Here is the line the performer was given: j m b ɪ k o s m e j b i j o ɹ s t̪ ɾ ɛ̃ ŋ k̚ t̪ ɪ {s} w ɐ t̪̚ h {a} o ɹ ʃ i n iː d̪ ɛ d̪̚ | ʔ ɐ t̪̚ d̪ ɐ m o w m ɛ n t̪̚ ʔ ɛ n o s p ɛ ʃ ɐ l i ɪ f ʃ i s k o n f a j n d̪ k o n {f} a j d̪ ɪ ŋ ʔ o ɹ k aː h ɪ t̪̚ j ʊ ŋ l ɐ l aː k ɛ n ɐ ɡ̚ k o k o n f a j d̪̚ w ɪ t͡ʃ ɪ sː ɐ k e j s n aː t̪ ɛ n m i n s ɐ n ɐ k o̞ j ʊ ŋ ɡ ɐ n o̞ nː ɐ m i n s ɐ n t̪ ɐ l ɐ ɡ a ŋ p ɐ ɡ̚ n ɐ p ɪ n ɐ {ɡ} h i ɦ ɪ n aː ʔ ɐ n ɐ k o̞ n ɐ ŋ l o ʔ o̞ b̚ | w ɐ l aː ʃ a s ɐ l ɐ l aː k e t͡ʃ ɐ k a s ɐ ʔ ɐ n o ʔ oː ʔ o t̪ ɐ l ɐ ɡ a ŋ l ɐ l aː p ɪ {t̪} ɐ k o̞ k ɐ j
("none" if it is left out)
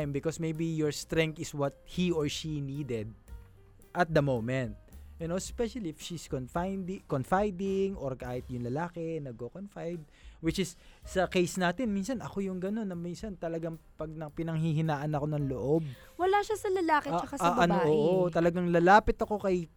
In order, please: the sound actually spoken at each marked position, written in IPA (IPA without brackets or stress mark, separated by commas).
s, i, f, ŋ, t̪